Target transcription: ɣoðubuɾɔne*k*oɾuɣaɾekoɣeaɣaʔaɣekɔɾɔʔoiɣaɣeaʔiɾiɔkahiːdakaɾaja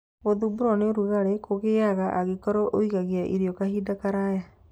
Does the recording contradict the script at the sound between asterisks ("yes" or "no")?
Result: yes